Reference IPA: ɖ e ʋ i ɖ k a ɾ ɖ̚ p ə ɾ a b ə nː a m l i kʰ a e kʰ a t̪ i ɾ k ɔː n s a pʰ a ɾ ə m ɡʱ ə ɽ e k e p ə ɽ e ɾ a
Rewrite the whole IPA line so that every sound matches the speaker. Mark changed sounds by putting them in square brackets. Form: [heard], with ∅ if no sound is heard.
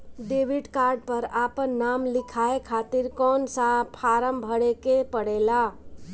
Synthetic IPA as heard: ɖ e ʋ i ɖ k a ɾ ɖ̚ p ə ɾ a [p] ə nː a m l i kʰ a e kʰ a t̪ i ɾ k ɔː n s a pʰ a ɾ ə m [bʱ] ə ɽ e k e p ə ɽ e [l] a